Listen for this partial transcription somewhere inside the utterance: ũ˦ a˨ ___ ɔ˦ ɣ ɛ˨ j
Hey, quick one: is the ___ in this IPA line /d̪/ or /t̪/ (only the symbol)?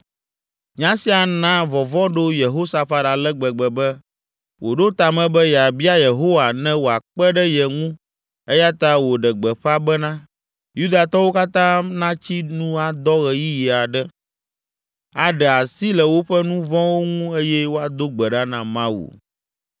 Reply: d̪